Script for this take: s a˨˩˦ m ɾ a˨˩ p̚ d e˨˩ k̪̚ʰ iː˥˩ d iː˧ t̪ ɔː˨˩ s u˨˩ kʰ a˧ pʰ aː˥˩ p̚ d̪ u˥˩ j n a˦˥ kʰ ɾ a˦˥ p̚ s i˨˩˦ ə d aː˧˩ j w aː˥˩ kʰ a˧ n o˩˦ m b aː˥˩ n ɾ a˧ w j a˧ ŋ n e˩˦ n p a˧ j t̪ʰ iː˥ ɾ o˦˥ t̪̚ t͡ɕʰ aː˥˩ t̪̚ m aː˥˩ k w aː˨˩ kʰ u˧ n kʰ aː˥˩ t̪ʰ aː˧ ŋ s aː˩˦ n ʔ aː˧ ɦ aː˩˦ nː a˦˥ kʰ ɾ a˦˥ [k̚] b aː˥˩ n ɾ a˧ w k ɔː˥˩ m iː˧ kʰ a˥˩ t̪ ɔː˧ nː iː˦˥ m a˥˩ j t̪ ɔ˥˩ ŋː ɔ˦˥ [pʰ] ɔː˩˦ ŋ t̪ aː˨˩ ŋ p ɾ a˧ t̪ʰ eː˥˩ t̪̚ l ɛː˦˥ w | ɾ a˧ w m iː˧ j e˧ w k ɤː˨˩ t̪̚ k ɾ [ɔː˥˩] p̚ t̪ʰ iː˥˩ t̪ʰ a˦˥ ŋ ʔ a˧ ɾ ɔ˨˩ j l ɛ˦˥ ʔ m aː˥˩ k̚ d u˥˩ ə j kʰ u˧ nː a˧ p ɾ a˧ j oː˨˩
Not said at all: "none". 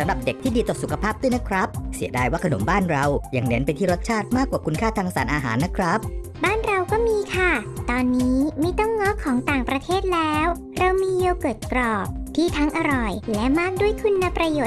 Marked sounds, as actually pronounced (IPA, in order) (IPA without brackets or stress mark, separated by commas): p̚, kʰ, ɔː˨˩